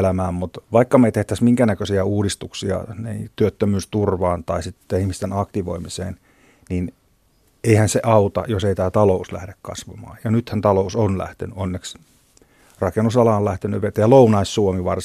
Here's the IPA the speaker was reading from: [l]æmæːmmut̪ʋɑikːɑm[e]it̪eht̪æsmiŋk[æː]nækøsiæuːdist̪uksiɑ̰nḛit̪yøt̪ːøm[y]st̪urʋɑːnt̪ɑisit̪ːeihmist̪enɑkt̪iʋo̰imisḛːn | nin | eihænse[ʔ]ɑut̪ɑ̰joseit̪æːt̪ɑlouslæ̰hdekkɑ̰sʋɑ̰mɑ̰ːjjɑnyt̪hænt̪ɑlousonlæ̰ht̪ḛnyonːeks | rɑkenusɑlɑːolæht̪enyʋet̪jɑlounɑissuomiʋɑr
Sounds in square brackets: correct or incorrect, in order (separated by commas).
correct, correct, incorrect, incorrect, correct